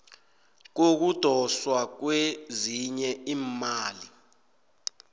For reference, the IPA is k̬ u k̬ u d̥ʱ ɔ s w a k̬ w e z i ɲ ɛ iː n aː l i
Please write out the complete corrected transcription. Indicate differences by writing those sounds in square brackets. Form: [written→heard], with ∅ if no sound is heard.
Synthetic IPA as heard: k̬ [u→o] k̬ u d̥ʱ ɔ s w a k̬ w e z i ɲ ɛ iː [n→m] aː l i

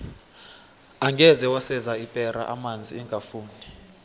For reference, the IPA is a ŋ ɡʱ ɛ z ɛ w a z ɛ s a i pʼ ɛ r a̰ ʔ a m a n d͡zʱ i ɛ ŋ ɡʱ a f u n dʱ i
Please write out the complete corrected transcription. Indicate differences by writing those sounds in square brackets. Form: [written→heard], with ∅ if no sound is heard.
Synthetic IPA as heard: a ŋ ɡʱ ɛ z ɛ w a [z→s] ɛ [s→z] a i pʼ ɛ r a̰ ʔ a m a n d͡zʱ i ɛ ŋ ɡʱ a f [u→uː] n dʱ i

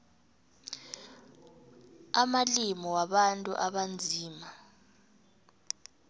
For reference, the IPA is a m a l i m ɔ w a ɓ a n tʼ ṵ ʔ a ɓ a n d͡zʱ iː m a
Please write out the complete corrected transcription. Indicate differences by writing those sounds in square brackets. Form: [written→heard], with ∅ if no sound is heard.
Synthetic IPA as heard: a m a l i m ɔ w a ɓ a n tʼ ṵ ʔ a ɓ a n d͡zʱ iː m a

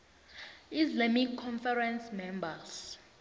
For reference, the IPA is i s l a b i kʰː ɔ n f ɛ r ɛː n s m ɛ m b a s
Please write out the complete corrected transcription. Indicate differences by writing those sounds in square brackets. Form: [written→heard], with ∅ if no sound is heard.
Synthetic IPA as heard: i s l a [b→m] i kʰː ɔ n f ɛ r [ɛː→ɛ] n s m ɛ m b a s

